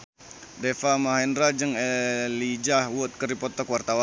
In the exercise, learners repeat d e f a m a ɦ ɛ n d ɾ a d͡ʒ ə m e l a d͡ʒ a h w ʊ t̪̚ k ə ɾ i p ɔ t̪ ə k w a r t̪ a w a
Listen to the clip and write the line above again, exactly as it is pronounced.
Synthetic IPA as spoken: d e f a m a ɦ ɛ n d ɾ a d͡ʒ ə ŋ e l i d͡ʒ a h w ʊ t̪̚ k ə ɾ i p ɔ t̪ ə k w a r t̪ a w a